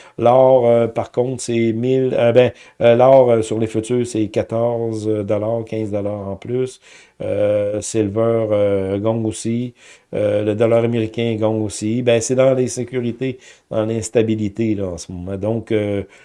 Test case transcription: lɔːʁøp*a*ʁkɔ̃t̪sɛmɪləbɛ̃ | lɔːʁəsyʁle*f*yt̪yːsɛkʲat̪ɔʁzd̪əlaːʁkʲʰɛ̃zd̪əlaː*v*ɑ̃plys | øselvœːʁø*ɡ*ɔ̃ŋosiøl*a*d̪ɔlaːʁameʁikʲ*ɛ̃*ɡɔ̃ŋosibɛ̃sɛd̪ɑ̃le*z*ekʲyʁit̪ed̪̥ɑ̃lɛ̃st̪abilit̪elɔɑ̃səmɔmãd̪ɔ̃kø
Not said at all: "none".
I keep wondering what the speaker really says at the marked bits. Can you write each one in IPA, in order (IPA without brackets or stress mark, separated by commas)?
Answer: a, f, ʁ, ɡ, ə, ɛ̃, s